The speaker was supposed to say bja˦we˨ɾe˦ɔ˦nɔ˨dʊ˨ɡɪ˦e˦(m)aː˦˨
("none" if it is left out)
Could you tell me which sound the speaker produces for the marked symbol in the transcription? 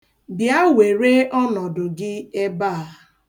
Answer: b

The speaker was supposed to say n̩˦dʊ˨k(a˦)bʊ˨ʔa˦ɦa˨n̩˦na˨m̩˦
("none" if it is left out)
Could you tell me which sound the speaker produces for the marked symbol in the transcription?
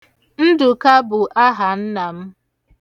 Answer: a˦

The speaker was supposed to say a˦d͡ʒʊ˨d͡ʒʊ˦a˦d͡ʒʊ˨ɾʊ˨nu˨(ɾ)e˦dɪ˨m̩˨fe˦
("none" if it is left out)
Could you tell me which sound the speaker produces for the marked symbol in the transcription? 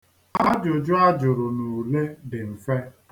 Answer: l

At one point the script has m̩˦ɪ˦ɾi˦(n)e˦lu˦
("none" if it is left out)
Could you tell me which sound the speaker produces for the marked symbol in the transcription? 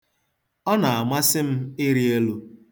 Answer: none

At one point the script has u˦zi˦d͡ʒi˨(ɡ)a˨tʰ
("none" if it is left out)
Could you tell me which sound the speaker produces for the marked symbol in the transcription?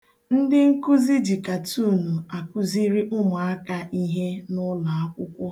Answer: k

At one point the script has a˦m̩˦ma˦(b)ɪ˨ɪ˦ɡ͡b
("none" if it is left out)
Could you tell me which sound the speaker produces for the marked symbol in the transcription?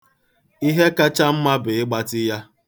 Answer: b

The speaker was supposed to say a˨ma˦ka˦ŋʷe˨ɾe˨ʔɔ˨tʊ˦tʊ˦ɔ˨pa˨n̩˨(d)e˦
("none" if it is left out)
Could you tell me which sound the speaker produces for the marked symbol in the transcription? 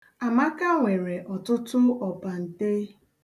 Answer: t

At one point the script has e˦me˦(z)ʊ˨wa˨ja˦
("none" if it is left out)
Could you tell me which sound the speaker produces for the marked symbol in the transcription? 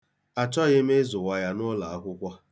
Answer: z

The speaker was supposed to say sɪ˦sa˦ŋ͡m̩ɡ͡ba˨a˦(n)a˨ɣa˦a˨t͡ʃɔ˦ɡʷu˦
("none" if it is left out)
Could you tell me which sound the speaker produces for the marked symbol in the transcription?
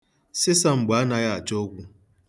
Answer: n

